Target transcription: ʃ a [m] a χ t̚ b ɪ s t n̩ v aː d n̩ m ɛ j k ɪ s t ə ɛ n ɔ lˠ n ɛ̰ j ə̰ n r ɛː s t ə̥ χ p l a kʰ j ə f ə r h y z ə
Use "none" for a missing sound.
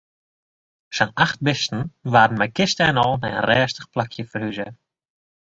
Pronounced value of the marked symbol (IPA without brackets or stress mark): n